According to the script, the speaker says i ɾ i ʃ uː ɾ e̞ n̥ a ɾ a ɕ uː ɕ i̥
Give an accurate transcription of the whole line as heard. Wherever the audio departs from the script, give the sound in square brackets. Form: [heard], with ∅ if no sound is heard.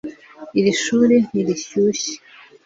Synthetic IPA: i ɾ i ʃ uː ɾ e̞ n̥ [i] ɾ [i] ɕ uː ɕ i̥